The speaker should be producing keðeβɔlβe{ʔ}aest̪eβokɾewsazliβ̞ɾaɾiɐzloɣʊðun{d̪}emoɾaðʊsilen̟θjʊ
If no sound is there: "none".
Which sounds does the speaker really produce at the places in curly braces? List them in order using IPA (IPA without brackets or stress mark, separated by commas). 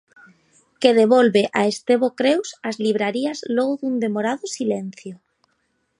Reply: ʔ, d̪